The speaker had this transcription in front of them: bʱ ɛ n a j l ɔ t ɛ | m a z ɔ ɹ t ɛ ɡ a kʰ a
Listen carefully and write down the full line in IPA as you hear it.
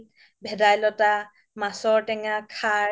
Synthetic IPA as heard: bʱ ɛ d a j l ɔ t a | m a s ɔ ɹ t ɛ ŋ a kʰ a